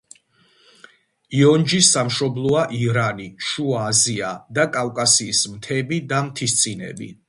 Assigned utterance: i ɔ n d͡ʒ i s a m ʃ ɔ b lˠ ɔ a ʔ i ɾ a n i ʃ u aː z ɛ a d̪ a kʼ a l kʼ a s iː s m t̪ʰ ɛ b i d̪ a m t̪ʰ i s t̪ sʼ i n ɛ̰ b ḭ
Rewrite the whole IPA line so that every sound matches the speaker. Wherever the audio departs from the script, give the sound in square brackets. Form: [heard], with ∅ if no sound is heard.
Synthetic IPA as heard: i ɔ n d͡ʒ i s a m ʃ ɔ b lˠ ɔ a ʔ i ɾ a n i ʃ u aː z [i] a d̪ a kʼ a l kʼ a s iː s m t̪ʰ ɛ b i d̪ a m t̪ʰ i s t̪ sʼ i n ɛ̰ b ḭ

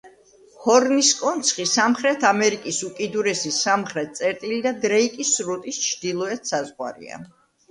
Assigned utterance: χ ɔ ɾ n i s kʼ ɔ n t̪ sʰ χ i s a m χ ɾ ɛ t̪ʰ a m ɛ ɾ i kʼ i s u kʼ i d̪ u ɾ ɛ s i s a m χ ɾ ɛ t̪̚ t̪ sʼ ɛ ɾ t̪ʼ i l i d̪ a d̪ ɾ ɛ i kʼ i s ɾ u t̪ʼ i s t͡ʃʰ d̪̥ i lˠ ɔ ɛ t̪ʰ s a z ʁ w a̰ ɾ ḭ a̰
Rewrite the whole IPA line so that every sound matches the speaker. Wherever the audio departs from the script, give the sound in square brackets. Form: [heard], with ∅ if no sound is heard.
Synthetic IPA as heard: [h] ɔ ɾ n i s kʼ ɔ n t̪ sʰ χ i s a m χ ɾ ɛ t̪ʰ a m ɛ ɾ i kʼ i s u kʼ i d̪ u ɾ ɛ s i s a m χ ɾ ɛ t̪̚ t̪ sʼ ɛ ɾ t̪ʼ i l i d̪ a d̪ ɾ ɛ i kʼ i s ɾ u t̪ʼ i s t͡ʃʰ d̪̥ i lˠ ɔ ɛ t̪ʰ s a z ʁ w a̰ ɾ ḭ a̰

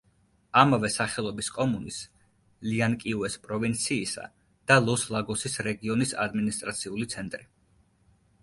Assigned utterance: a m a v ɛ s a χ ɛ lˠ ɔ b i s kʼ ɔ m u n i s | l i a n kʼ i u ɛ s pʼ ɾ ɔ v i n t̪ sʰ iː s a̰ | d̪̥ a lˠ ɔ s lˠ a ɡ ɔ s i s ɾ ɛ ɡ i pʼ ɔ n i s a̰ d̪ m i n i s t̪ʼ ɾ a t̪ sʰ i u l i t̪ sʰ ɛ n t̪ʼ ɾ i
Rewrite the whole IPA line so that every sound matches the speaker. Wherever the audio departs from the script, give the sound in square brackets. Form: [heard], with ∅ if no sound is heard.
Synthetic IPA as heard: a m a v ɛ s a χ ɛ lˠ ɔ b i s kʼ ɔ m u n i s | l i a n kʼ i u ɛ s pʼ ɾ ɔ v i n t̪ sʰ iː s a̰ | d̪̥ a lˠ ɔ s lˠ a ɡ ɔ s i s ɾ ɛ ɡ i [∅] ɔ n i s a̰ d̪ m i n i s t̪ʼ ɾ a t̪ sʰ i u l i t̪ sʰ ɛ n t̪ʼ ɾ i

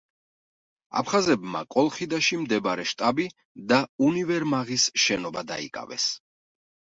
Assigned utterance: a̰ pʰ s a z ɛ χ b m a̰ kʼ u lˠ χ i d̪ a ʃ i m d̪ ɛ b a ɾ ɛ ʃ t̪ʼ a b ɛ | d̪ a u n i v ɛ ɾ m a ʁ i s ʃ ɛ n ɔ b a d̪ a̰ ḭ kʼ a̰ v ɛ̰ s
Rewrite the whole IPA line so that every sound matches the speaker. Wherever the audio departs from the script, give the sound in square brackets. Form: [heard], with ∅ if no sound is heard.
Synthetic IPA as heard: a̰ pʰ [χ] a z ɛ [∅] b m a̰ kʼ [ɔ] lˠ χ i d̪ a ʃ i m d̪ ɛ b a ɾ ɛ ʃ t̪ʼ a b [i] | d̪ a u n i v ɛ ɾ m a ʁ i s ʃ ɛ n ɔ b a d̪ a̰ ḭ kʼ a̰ v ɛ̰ s

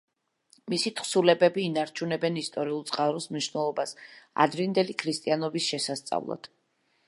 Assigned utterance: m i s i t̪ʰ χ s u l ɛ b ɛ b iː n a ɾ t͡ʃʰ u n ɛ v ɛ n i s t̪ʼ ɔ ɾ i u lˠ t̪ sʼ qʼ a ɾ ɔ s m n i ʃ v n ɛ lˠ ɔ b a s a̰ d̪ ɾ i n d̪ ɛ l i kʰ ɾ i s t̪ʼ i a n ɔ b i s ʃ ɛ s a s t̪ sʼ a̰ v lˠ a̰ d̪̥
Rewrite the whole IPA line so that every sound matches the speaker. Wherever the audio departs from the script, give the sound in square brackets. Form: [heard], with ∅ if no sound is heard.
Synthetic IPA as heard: m i s i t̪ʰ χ s u l ɛ b ɛ b iː n a ɾ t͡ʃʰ u n ɛ [b] ɛ n i s t̪ʼ ɔ ɾ i u lˠ t̪ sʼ qʼ a ɾ ɔ s m n i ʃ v n ɛ lˠ ɔ b a s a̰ d̪ ɾ i n d̪ ɛ l i kʰ ɾ i s t̪ʼ i a n ɔ b i s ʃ ɛ s a s t̪ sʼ a̰ v lˠ a̰ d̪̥

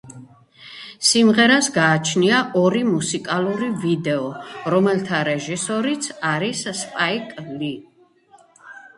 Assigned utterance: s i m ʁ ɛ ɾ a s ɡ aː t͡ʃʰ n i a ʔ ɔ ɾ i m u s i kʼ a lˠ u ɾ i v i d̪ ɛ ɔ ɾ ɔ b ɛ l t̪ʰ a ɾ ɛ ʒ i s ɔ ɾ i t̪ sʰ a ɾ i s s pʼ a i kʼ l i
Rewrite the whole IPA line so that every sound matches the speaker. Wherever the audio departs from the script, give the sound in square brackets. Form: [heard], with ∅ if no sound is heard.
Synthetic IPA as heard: s i m ʁ ɛ ɾ a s ɡ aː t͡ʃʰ n i a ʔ ɔ ɾ i m u s i kʼ a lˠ u ɾ i v i d̪ ɛ ɔ ɾ ɔ [m] ɛ l t̪ʰ a ɾ ɛ ʒ i s ɔ ɾ i t̪ sʰ a ɾ i s s pʼ a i kʼ l i

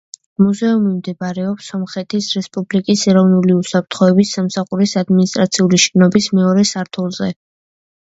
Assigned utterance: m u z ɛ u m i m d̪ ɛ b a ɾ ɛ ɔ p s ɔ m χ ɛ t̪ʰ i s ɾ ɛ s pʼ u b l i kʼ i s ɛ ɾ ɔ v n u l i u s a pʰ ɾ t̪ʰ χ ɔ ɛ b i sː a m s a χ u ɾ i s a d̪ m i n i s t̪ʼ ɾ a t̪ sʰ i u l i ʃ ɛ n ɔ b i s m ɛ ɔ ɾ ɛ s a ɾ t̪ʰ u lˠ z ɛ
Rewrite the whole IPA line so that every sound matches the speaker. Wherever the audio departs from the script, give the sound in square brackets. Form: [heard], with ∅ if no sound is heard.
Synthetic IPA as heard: m u z ɛ u m i m d̪ ɛ b a ɾ ɛ ɔ p s ɔ m χ ɛ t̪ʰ i s ɾ ɛ s pʼ u b l i kʼ i s ɛ ɾ ɔ v n u l i u s a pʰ ɾ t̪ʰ χ ɔ ɛ b i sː a m s a χ u ɾ i s a d̪ m i n i s t̪ʼ ɾ a t̪ sʰ i u l i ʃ ɛ n ɔ b i s m ɛ ɔ ɾ ɛ s a ɾ t̪ʰ u lˠ z ɛ

